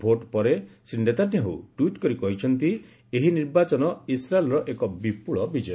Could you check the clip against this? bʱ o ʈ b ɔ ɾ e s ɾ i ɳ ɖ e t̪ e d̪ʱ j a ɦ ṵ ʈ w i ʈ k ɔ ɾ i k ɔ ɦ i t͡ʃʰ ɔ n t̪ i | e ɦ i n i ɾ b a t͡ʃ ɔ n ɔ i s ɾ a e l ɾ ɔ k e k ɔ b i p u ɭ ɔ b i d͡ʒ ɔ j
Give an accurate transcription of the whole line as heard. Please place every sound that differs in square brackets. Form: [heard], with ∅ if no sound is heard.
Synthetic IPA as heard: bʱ o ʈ [p] ɔ ɾ e s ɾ i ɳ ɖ e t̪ [a] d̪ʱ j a ɦ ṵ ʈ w i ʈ k ɔ ɾ i k ɔ ɦ i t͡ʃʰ ɔ n t̪ i | e ɦ i n i ɾ b a t͡ʃ ɔ n ɔ i s ɾ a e l ɾ ɔ [ʔ] e k ɔ b i p u ɭ ɔ b i d͡ʒ ɔ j